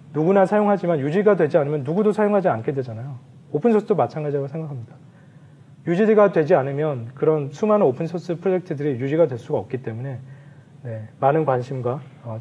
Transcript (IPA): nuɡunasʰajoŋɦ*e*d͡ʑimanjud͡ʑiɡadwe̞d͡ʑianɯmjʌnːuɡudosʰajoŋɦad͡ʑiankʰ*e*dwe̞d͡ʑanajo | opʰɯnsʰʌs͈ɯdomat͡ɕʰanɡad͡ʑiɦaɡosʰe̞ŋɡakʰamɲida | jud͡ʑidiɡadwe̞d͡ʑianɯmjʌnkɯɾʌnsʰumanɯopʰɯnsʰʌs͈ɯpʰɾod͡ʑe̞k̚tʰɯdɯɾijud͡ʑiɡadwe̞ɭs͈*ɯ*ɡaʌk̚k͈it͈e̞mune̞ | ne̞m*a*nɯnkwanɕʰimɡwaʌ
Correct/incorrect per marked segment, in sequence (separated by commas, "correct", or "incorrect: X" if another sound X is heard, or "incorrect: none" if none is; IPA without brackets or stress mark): incorrect: a, correct, incorrect: u, correct